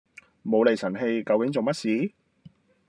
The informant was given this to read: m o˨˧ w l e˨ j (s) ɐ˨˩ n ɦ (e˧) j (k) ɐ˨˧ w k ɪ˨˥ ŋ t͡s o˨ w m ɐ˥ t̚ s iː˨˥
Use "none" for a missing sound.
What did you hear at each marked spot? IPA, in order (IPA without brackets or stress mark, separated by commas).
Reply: s, e˧, k